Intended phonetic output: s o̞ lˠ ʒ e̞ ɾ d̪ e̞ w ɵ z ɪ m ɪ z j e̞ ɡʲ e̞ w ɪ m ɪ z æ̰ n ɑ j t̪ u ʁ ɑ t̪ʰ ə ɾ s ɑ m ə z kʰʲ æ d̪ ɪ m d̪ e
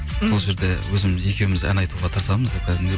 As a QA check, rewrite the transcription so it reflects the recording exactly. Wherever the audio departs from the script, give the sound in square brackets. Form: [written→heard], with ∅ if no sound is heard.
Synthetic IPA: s o̞ lˠ ʒ e̞ ɾ d̪ e̞ w ɵ z ɪ m ɪ z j e̞ [ɡʲ→kʲ] e̞ w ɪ m ɪ z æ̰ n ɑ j t̪ u ʁ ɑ t̪ʰ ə ɾ s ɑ m ə z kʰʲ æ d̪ ɪ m d̪ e